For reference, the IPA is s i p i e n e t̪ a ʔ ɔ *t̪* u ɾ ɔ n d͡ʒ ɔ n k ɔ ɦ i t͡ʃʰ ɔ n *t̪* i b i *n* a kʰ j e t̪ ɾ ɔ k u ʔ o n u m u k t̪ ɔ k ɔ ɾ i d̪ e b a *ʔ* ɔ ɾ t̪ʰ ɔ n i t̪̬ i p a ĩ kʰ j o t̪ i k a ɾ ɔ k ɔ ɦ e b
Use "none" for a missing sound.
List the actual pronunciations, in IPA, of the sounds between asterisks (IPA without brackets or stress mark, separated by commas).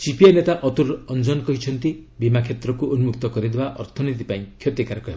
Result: t̪, t̪, m, ʔ